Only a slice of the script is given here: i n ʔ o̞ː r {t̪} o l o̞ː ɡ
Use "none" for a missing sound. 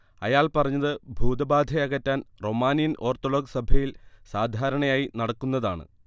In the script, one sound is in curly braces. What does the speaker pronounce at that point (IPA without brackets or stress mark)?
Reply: t̪